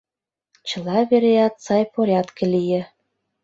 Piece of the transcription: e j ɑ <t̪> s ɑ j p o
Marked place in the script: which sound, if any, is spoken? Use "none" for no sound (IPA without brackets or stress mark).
t̪